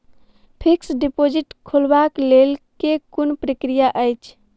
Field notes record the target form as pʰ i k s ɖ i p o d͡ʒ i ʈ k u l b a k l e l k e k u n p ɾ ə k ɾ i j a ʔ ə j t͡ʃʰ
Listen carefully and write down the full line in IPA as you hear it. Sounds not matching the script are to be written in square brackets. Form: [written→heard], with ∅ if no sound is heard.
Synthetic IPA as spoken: pʰ i k s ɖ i p o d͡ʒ i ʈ [k→kʰ] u l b a k l e l k e k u n p ɾ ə k ɾ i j a ʔ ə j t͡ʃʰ